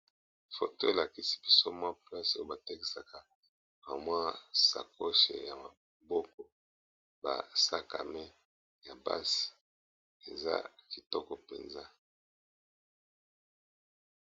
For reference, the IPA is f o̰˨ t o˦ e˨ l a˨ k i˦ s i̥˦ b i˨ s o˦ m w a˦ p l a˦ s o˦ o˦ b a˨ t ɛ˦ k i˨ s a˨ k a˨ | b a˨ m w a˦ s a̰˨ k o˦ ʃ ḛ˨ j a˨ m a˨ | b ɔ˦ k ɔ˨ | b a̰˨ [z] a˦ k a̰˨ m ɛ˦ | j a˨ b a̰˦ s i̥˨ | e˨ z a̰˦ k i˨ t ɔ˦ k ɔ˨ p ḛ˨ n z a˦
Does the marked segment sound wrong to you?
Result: yes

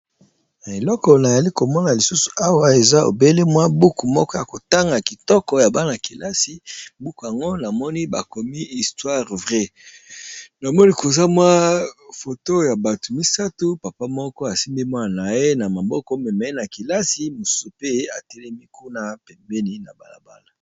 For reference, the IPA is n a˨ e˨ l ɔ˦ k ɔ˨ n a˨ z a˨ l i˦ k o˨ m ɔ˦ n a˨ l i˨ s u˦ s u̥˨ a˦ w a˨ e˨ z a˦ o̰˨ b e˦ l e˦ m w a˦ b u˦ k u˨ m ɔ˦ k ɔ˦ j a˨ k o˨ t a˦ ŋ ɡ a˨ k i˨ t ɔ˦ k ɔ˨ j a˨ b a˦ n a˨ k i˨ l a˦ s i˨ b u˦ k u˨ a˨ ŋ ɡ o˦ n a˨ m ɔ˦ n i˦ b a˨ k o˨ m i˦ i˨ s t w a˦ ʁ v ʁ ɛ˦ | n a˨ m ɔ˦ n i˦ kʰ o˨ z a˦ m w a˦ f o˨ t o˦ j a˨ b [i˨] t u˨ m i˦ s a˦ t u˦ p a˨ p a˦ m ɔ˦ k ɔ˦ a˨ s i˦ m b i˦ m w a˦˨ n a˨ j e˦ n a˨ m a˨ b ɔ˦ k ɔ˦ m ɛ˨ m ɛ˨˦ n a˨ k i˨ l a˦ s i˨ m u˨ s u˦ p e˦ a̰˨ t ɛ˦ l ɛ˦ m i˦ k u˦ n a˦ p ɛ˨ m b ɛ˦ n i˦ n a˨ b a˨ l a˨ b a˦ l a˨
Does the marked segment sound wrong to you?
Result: yes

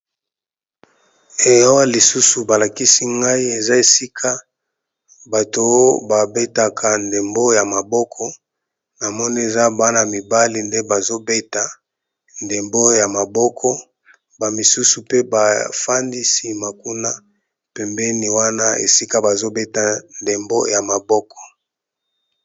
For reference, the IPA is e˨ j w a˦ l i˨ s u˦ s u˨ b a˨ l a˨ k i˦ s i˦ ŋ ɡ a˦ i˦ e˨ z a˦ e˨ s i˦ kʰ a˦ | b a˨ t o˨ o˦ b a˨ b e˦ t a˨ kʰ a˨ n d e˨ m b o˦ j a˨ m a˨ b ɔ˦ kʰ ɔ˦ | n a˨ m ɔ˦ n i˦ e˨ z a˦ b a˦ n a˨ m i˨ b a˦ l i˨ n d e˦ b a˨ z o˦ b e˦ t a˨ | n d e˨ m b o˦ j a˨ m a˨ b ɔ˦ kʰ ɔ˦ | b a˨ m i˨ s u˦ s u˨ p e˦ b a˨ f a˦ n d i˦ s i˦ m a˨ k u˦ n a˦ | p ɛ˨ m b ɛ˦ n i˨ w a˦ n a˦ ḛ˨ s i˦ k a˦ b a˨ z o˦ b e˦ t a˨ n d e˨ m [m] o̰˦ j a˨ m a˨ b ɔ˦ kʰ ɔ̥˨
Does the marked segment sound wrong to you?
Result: yes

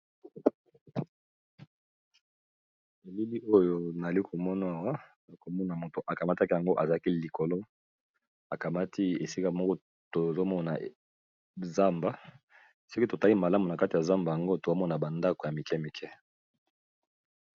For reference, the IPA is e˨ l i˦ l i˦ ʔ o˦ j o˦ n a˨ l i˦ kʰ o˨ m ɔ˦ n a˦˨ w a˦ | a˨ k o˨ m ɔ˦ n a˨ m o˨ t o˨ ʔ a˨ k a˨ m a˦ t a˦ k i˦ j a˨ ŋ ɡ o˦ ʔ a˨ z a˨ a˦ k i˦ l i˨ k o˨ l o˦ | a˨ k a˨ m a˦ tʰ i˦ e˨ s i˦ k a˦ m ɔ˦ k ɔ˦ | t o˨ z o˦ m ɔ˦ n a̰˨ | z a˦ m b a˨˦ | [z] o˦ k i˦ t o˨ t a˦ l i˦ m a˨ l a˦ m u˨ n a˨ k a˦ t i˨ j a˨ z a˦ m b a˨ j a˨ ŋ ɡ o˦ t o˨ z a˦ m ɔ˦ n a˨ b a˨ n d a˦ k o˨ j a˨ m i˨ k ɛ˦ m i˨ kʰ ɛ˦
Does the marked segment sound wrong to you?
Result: yes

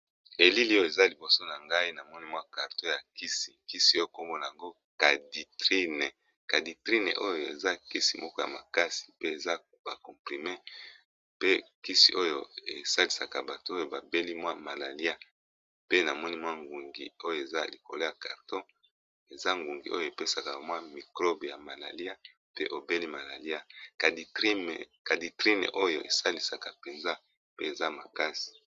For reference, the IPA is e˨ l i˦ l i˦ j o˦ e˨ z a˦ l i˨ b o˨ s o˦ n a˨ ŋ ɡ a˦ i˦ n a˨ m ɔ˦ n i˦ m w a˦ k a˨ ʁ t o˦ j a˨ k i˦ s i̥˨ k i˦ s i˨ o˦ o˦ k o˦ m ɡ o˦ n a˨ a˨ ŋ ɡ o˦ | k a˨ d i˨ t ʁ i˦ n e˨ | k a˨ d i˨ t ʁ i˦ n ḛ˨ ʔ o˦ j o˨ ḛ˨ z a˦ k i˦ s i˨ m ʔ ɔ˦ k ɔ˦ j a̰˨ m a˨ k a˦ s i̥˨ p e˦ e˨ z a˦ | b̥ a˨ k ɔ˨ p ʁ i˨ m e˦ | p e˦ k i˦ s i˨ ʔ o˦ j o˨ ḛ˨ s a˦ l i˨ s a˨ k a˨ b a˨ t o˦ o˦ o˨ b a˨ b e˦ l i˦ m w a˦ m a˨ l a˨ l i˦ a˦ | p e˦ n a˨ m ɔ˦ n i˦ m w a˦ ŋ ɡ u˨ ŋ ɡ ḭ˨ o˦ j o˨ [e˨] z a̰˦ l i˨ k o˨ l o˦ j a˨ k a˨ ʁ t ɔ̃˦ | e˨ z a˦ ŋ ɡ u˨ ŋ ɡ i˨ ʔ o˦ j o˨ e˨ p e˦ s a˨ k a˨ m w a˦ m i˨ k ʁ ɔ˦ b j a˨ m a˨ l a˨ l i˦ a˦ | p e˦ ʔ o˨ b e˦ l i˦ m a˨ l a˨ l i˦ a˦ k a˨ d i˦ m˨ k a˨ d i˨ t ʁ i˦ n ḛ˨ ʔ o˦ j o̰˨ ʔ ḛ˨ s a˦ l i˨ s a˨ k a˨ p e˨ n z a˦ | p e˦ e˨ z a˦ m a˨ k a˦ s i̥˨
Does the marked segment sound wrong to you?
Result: no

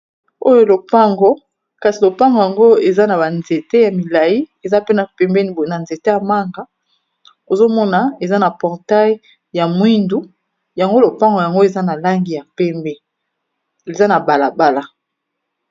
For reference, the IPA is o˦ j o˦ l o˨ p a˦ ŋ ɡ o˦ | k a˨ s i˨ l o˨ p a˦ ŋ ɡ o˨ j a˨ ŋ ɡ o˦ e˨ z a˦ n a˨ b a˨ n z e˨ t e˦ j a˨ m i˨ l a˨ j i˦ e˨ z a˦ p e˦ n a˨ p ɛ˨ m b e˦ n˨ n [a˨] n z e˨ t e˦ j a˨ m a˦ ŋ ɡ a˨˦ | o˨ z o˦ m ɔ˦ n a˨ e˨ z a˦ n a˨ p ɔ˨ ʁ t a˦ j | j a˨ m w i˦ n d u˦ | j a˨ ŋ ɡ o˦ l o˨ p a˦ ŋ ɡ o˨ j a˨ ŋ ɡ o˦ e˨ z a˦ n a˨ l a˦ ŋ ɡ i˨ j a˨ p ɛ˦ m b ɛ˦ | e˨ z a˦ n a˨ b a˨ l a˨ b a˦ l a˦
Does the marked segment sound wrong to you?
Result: no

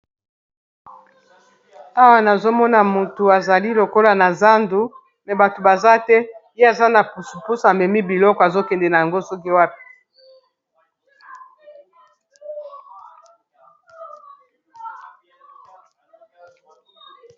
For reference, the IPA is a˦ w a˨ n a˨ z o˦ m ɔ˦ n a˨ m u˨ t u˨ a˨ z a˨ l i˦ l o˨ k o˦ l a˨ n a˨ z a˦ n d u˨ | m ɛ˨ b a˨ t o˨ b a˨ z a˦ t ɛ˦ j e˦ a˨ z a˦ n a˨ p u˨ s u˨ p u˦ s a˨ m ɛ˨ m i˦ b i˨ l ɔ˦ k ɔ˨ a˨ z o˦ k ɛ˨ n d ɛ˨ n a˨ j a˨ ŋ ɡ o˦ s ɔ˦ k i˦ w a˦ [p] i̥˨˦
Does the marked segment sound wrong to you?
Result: no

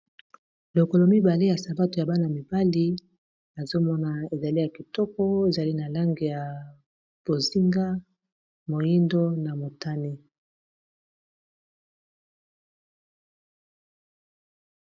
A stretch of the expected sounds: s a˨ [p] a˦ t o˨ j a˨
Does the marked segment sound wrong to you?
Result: yes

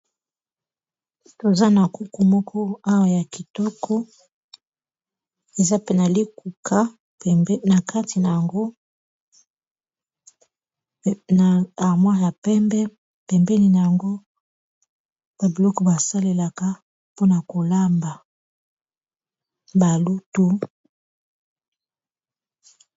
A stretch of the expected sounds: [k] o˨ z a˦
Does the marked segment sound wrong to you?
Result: yes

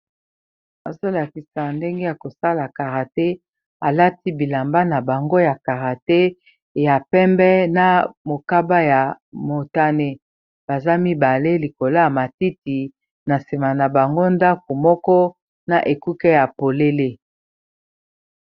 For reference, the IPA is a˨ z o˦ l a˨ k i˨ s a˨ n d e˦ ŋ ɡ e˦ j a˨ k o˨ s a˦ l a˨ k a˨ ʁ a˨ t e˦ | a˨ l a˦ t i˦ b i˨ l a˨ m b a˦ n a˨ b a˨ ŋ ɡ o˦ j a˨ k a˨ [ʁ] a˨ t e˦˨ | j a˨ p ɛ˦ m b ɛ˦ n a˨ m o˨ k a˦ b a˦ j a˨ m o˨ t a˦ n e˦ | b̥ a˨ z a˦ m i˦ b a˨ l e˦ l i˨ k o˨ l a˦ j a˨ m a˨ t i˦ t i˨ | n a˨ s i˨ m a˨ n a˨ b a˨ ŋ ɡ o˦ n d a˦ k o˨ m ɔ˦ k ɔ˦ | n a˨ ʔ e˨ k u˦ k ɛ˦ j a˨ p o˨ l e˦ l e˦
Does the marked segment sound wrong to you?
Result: no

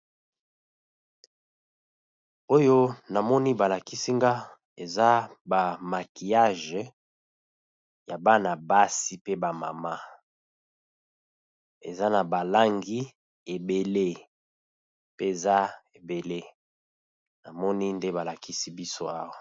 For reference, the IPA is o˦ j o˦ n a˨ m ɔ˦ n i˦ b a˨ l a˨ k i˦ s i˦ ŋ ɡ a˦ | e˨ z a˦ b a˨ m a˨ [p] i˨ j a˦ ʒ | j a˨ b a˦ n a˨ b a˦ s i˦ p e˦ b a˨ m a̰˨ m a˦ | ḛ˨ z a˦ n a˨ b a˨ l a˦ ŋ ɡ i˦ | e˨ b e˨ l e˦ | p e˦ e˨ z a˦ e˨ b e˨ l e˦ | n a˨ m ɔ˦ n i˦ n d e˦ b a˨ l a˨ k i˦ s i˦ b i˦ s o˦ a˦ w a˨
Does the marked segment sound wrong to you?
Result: yes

